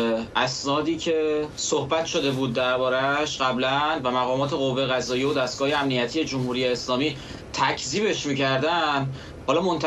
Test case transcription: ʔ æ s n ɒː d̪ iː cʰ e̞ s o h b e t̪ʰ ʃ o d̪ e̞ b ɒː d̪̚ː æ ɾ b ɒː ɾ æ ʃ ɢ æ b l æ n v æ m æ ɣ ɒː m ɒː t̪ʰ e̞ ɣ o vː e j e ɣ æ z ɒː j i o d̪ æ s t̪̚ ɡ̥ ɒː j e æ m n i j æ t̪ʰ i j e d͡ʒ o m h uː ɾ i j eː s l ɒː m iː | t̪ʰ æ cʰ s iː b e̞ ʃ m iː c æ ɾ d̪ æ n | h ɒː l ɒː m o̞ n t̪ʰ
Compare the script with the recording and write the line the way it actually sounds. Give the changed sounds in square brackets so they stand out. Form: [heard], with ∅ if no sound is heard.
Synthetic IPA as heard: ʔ æ s n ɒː d̪ iː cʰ e̞ s o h b [æ] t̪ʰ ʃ o d̪ e̞ b [uː] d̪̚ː æ ɾ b ɒː ɾ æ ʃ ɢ æ b l æ n v æ m æ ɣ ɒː m ɒː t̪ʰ e̞ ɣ o vː e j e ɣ æ z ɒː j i o d̪ æ s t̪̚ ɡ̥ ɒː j e æ m n i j æ t̪ʰ i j e d͡ʒ o m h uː ɾ i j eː s l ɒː m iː | t̪ʰ æ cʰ [z] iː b e̞ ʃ m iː c æ ɾ d̪ æ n | h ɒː l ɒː m o̞ n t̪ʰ